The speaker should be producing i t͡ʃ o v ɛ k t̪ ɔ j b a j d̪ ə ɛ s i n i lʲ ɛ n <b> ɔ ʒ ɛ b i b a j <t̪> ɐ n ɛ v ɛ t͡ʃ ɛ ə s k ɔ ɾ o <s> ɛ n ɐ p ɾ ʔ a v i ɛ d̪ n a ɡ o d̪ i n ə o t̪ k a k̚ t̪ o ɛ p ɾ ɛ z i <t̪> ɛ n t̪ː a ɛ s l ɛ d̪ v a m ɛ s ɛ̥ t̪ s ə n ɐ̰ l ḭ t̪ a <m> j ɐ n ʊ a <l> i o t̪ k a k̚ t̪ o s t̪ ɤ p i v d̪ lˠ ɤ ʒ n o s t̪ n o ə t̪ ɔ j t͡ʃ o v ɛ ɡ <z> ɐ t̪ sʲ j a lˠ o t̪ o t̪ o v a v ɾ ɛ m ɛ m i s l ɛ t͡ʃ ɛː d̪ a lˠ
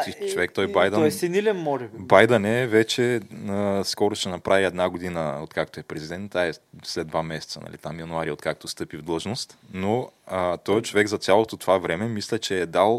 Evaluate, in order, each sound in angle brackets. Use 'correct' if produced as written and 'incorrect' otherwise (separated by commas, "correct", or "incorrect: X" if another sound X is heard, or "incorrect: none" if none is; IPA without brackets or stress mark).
incorrect: m, incorrect: d̪, incorrect: ʃ, incorrect: d̪, correct, incorrect: ɾ, correct